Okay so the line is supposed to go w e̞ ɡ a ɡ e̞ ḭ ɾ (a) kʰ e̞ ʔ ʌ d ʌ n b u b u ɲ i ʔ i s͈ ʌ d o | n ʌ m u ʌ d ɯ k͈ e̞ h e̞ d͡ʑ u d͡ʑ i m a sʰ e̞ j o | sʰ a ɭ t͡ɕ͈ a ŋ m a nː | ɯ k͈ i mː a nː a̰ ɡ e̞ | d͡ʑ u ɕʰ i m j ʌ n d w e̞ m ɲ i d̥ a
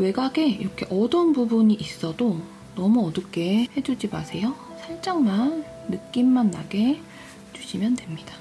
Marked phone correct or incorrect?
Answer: incorrect